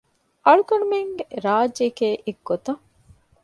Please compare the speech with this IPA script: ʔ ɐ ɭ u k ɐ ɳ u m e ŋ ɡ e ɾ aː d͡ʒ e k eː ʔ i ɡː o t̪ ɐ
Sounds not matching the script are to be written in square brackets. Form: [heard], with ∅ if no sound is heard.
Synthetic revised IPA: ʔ ɐ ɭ u k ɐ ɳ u m e ŋ ɡ e ɾ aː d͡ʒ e k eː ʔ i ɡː o t̪ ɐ